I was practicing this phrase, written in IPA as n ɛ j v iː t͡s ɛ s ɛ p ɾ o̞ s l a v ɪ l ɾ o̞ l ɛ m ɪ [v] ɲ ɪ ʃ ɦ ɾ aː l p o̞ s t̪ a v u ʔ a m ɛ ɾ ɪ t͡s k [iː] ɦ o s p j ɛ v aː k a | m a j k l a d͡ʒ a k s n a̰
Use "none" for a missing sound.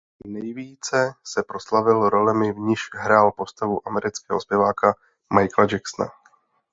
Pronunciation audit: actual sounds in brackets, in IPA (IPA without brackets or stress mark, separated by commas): v, ɛː